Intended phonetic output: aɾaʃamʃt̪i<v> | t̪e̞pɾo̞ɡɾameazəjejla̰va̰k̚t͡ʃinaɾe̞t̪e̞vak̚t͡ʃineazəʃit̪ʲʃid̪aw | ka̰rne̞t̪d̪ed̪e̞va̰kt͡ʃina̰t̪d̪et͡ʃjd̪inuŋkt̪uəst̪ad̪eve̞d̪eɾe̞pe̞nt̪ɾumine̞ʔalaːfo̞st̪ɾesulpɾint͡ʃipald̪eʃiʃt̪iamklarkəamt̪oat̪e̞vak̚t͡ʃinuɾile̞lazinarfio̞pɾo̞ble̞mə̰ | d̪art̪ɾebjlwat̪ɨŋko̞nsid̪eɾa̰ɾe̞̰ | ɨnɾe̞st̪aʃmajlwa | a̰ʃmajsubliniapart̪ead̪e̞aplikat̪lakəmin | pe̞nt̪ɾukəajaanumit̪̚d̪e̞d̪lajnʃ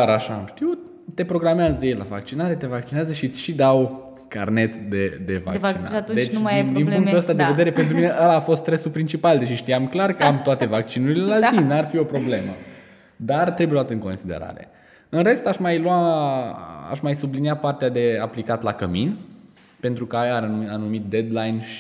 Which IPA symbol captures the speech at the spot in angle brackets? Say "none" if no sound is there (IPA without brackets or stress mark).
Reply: w